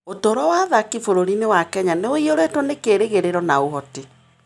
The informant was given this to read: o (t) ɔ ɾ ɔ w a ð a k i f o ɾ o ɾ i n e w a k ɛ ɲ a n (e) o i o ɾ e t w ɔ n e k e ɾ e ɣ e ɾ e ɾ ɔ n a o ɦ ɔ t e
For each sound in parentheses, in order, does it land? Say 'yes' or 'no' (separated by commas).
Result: yes, yes